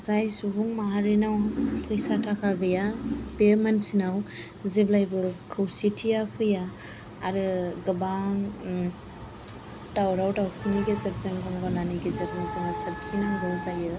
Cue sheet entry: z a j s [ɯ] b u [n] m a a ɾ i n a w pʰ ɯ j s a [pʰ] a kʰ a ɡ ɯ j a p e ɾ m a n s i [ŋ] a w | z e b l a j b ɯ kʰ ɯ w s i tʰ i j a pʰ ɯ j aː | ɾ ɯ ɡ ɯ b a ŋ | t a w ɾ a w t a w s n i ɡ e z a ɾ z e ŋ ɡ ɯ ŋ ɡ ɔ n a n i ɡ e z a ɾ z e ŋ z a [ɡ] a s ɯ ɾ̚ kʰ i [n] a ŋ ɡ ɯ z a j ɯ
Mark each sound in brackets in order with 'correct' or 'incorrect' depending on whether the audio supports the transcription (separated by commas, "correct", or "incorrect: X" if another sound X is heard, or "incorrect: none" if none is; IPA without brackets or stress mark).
incorrect: u, incorrect: ŋ, incorrect: tʰ, incorrect: n, incorrect: ŋ, correct